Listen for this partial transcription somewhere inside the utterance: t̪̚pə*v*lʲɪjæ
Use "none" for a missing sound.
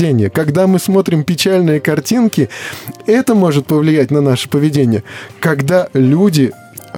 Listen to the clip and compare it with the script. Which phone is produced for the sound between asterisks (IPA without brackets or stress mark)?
v